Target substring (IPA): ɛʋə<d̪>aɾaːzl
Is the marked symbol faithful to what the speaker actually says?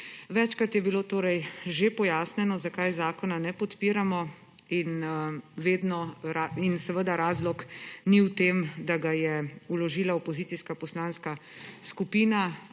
yes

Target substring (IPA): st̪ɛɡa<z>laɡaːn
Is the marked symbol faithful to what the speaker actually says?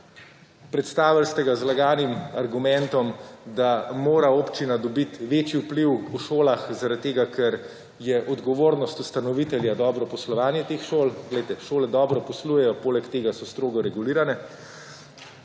yes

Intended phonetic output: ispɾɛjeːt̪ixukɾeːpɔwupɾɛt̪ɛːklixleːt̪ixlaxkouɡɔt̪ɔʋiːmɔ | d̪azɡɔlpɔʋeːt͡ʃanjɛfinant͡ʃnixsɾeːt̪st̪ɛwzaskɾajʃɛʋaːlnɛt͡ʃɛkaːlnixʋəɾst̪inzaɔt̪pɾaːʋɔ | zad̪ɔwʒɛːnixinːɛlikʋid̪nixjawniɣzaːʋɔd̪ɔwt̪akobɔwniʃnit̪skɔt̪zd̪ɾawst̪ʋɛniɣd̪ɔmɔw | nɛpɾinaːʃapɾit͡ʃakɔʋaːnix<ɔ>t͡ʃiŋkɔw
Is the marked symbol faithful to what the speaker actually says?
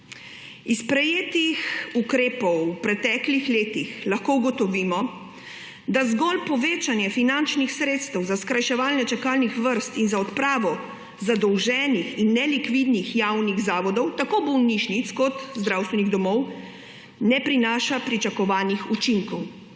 no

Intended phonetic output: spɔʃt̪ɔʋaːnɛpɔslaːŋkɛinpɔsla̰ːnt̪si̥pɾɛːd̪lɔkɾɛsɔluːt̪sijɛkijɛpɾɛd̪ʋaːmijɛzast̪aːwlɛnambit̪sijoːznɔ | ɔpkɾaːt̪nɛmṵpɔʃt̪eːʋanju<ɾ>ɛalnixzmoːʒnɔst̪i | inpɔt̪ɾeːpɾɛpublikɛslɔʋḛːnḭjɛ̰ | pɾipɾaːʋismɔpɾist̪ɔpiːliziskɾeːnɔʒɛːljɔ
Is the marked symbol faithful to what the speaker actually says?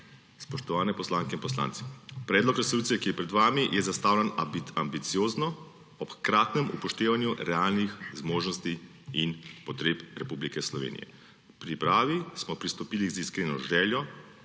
yes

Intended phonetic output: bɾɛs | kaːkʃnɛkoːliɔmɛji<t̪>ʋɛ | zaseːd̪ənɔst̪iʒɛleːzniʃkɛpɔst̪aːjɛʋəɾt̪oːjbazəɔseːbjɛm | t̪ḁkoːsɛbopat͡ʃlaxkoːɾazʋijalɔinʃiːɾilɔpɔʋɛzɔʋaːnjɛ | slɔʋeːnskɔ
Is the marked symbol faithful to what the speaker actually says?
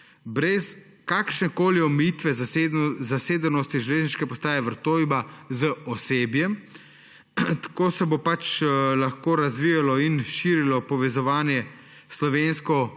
yes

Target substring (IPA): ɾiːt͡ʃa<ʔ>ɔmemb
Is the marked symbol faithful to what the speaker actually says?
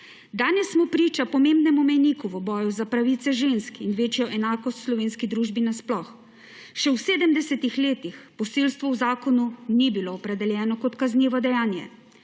no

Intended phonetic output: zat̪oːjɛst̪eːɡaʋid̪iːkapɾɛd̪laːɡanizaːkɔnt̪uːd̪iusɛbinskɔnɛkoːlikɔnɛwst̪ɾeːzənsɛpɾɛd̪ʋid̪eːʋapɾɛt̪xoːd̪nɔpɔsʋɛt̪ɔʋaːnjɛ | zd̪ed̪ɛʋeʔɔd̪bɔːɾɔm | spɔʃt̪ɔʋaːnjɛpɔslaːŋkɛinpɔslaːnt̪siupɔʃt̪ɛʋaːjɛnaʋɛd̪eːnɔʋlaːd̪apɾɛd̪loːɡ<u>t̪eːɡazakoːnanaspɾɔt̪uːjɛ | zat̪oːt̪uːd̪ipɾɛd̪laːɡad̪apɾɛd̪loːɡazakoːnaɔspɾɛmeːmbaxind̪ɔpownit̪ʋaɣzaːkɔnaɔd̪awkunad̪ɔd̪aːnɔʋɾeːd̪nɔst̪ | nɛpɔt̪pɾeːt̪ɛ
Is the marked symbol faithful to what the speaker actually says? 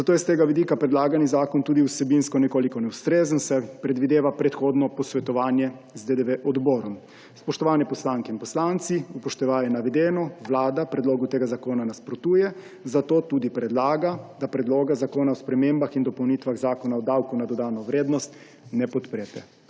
yes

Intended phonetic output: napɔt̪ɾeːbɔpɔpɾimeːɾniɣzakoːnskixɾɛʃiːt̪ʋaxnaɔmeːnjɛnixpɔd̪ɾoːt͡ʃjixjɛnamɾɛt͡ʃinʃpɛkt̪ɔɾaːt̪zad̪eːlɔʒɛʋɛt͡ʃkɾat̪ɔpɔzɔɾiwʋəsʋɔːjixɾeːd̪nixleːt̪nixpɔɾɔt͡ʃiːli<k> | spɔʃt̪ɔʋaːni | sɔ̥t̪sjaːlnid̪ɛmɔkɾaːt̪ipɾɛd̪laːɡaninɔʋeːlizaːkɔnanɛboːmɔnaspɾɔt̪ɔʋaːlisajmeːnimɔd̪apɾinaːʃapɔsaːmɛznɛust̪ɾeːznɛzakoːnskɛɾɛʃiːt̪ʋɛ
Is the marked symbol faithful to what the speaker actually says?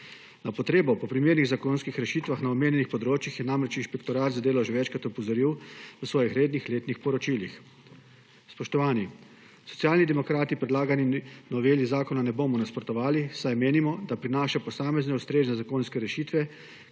no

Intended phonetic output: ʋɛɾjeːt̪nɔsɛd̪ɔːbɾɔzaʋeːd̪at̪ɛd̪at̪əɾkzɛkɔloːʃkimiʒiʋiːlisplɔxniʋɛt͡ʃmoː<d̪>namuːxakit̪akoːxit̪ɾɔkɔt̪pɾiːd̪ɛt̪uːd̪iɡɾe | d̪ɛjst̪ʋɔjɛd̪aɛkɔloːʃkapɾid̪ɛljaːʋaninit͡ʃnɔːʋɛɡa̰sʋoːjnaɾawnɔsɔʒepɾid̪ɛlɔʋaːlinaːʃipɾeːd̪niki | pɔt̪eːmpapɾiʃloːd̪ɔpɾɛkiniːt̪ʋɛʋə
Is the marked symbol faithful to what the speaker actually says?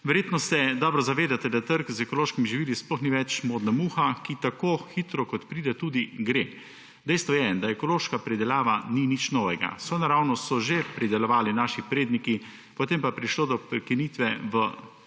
yes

